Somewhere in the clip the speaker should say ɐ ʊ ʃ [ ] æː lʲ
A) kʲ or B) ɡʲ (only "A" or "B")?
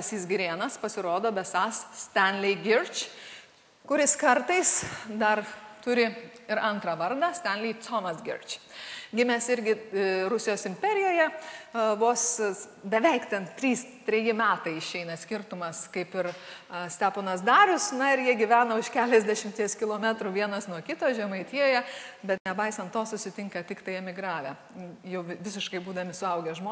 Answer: A